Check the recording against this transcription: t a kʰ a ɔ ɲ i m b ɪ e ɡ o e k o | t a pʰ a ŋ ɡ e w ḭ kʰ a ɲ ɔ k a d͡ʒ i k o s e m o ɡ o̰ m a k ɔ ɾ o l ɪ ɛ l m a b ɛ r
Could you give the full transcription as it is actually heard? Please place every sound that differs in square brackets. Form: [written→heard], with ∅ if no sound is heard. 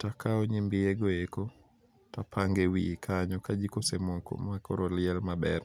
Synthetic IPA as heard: t a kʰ a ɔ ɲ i m b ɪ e ɡ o e k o | t a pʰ a ŋ ɡ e w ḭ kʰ a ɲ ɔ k a d͡ʒ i k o s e m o [ɡ→k] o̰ m a k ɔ ɾ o l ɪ ɛ l m a b ɛ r